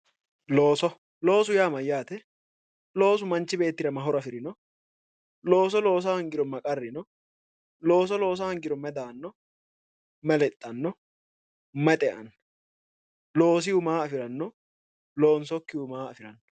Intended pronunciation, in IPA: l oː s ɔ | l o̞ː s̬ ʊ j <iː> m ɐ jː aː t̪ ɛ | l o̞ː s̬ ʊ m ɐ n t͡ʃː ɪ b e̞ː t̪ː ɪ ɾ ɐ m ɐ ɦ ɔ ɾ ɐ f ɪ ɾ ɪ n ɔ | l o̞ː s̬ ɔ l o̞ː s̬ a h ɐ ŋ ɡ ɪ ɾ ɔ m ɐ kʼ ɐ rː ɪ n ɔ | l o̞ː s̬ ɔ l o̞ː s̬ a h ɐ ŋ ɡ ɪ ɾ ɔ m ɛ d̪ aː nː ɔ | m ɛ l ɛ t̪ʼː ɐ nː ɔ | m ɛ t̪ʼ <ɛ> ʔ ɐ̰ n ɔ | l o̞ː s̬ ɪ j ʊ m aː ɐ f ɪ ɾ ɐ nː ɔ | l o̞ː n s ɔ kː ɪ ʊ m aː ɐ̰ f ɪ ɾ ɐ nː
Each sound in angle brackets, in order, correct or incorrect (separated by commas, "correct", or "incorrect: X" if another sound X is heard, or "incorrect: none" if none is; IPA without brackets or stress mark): incorrect: aː, correct